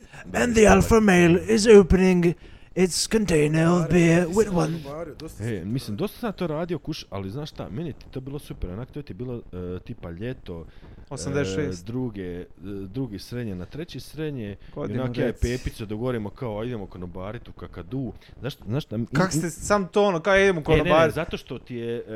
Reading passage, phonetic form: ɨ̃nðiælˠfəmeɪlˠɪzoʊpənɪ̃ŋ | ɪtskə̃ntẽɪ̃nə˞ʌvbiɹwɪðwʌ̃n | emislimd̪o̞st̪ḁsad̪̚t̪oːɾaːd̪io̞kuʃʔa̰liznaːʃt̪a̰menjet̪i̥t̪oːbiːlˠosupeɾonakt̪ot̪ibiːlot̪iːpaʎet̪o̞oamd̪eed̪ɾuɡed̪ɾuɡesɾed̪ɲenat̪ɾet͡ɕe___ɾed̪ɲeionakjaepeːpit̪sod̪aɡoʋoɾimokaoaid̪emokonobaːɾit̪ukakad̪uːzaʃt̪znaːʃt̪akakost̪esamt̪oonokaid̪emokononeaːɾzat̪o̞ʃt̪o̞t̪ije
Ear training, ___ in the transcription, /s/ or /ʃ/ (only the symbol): s